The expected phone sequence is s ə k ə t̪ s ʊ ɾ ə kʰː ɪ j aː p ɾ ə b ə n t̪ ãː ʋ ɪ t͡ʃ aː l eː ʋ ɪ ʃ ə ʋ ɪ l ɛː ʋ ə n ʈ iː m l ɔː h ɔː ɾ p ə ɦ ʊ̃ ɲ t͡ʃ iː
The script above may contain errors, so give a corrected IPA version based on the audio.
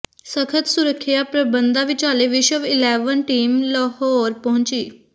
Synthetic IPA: s ə kʰ ə t̪ s ʊ ɾ ə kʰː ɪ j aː p ɾ ə b ə n d̪ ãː ʋ ɪ t͡ʃ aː l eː ʋ ɪ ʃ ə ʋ ɪ l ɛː ʋ ə n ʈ iː m l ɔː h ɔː ɾ p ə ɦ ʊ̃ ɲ t͡ʃ iː